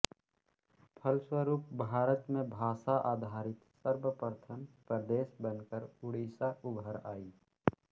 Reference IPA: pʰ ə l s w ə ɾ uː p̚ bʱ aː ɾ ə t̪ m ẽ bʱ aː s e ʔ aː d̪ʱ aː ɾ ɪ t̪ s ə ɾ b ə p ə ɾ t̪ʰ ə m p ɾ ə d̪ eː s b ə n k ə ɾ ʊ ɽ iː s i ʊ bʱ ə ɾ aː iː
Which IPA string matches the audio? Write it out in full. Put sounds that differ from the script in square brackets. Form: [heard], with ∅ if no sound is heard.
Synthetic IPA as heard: pʰ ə l s w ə ɾ uː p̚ bʱ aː ɾ ə t̪ m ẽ bʱ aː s [a] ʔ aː d̪ʱ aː ɾ ɪ t̪ s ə ɾ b ə p ə ɾ t̪ʰ ə m p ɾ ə d̪ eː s b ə n k ə ɾ ʊ ɽ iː s [a] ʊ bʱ ə ɾ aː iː

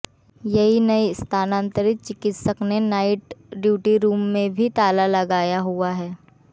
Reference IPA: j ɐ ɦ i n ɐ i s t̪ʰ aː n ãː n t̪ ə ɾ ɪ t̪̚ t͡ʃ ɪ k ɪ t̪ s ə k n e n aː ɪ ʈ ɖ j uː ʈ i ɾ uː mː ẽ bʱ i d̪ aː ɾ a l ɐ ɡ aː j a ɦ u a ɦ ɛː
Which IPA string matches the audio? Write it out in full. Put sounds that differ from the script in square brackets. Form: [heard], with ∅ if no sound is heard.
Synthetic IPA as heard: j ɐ ɦ i n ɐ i s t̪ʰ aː n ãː n t̪ ə ɾ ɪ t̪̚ t͡ʃ ɪ k ɪ t̪ s ə k n e n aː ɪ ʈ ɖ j uː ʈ i ɾ uː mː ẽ bʱ i [t̪] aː [l] a l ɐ ɡ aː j a ɦ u a ɦ ɛː

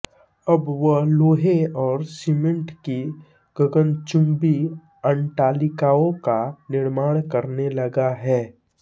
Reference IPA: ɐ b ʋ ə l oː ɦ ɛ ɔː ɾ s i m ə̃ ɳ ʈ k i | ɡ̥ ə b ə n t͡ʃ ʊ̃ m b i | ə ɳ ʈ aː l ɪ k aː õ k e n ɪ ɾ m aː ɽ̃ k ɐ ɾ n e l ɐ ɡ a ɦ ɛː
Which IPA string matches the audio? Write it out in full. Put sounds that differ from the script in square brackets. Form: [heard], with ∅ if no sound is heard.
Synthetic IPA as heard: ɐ b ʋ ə l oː ɦ [e] ɔː ɾ s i m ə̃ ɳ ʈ k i | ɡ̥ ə [ɡ] ə n t͡ʃ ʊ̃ m b i | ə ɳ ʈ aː l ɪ k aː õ k [a] n ɪ ɾ m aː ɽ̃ k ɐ ɾ n e l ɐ ɡ a ɦ ɛː

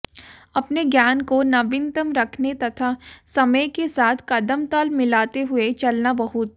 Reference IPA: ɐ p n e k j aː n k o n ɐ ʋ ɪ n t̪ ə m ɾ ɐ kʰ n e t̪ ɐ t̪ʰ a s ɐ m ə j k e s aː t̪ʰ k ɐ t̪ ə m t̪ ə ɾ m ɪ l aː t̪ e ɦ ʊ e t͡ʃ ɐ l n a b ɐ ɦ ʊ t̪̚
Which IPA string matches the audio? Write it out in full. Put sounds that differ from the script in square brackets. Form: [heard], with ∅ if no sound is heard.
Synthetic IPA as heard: ɐ p n e [ɡ] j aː n k o n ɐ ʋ ɪ n t̪ ə m ɾ ɐ kʰ n e t̪ ɐ t̪ʰ a s ɐ m ə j k e s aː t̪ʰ k ɐ [d̪] ə m t̪ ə [l] m ɪ l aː t̪ e ɦ ʊ e t͡ʃ ɐ l n a b ɐ ɦ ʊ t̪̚

